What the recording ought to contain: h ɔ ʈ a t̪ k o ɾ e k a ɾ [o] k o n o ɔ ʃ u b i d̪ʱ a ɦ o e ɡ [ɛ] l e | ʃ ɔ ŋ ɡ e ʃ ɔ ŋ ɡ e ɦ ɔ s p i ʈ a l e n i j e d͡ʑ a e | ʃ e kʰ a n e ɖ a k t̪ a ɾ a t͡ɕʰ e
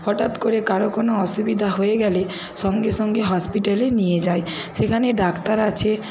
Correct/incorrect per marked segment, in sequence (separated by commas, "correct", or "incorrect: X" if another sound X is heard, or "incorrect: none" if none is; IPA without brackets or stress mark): correct, correct